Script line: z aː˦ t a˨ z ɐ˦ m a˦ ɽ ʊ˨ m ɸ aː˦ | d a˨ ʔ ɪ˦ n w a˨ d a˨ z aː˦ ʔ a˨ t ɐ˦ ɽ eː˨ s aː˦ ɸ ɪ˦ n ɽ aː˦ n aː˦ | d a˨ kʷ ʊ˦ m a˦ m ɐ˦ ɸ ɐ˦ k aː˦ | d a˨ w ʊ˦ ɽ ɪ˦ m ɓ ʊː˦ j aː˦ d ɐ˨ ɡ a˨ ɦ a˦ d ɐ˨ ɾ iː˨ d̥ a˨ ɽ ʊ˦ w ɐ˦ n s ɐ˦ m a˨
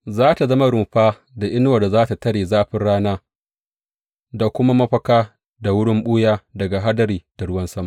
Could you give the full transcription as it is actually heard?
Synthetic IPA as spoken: z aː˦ t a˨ z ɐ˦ m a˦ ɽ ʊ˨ m ɸ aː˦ | d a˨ ʔ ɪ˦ n w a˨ d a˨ z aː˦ t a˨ t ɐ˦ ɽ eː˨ z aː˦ ɸ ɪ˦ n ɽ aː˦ n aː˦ | d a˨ kʷ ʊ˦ m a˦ m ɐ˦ ɸ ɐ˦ k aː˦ | d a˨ w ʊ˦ ɽ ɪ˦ m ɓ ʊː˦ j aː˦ d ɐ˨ ɡ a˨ ɦ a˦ d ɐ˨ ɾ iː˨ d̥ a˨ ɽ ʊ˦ w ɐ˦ n s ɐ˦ m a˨

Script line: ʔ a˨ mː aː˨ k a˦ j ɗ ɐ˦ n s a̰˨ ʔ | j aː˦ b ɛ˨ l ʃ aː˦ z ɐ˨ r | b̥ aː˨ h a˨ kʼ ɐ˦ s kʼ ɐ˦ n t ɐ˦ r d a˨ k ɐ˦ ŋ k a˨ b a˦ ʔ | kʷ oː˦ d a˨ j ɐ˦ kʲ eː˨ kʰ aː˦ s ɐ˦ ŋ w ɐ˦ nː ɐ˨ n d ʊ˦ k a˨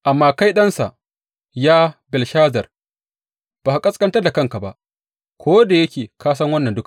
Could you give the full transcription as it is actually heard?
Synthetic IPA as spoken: ʔ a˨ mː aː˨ k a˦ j ɗ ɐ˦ n s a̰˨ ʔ | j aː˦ b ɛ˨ l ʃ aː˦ z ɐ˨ r | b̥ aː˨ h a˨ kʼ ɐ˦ s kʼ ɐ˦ n t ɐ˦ r d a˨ k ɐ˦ ŋ k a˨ b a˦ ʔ | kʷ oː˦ d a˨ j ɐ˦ kʲ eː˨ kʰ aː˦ s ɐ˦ ŋ w ɐ˦ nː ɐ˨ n d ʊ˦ k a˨

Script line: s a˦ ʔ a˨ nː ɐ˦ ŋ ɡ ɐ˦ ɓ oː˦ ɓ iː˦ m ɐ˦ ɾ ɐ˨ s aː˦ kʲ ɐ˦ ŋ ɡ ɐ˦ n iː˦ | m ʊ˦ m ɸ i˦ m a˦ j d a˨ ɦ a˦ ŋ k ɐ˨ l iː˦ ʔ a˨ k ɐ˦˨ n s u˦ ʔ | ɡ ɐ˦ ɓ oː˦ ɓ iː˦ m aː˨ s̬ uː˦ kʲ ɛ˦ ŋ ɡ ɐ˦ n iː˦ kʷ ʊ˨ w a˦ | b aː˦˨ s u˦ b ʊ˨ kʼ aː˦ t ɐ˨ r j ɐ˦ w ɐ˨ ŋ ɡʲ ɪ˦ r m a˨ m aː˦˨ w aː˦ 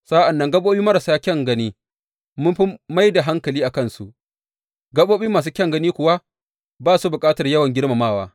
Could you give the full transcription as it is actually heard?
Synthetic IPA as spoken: s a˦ ʔ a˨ nː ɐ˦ ŋ ɡ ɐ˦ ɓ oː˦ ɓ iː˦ m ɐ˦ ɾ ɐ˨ s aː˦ kʲ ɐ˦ ŋ ɡ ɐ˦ n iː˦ | m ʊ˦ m ɸ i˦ m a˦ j d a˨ ɦ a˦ ŋ k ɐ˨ l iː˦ ʔ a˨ k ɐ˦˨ n s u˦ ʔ | ɡ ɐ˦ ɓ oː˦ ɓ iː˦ m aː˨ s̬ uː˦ kʲ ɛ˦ ŋ ɡ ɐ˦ n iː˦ kʷ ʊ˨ w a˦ | b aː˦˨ s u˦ b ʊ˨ kʼ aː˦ t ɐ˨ r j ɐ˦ w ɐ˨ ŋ ɡʲ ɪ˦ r m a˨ m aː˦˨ w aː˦

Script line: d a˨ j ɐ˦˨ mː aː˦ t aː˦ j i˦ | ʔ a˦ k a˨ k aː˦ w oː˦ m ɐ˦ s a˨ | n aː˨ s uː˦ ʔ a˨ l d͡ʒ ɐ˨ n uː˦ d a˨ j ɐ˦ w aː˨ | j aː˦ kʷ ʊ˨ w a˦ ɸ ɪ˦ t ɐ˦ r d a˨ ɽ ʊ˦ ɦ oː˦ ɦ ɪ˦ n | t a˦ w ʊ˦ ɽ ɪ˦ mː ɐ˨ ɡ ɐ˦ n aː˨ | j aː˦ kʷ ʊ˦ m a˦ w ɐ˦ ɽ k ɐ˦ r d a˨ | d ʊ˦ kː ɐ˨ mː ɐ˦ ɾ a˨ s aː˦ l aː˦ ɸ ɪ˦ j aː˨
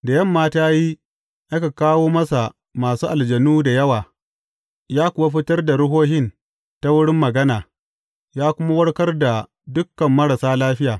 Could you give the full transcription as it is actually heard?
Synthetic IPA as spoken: d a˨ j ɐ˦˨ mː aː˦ t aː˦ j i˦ | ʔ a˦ k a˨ k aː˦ w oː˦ m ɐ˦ s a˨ | m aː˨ s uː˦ ʔ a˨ l d͡ʒ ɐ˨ n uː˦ d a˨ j ɐ˦ w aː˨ | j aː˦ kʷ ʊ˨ w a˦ ɸ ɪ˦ t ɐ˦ r d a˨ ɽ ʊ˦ ɦ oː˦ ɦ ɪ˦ n | t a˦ w ʊ˦ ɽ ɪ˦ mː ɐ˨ ɡ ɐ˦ n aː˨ | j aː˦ kʷ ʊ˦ m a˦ w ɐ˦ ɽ k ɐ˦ r d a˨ | d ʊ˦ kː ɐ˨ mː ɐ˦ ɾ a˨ s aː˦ l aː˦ ɸ ɪ˦ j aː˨

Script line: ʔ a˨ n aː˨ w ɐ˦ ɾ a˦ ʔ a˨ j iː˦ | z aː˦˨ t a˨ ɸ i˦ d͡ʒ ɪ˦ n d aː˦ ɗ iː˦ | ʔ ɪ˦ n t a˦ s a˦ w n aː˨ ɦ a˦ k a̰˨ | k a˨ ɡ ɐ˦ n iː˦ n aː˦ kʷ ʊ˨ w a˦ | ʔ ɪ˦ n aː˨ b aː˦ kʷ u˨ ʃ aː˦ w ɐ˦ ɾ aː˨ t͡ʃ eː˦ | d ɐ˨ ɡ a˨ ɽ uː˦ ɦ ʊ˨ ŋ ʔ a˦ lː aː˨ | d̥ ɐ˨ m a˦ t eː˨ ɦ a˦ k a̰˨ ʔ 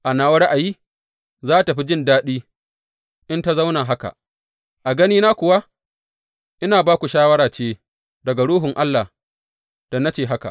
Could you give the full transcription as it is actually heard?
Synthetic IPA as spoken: ʔ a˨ n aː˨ w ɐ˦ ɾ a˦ ʔ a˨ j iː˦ | z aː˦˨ t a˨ ɸ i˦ d͡ʒ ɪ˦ n d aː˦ ɗ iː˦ | ʔ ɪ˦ n t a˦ z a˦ w n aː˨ ɦ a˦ k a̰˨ | ʔ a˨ ɡ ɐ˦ n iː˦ n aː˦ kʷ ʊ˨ w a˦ | ʔ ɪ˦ n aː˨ b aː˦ kʷ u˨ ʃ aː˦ w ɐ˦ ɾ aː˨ t͡ʃ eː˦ | d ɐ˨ ɡ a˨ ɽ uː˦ ɦ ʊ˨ ŋ ʔ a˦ lː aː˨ | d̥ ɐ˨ n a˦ t͡ʃ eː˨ ɦ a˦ k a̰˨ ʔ

